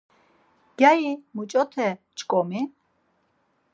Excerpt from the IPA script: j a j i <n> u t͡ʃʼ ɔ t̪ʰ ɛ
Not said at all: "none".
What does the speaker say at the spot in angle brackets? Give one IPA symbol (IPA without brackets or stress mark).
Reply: m